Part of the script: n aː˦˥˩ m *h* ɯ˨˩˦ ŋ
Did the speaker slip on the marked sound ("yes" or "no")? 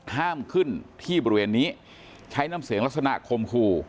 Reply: yes